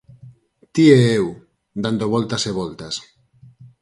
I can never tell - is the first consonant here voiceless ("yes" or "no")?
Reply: yes